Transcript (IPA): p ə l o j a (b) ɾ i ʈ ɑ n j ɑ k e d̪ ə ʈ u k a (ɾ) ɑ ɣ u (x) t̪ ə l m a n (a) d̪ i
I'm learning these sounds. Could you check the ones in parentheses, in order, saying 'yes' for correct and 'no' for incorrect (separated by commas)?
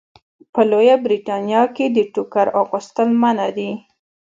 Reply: yes, yes, no, yes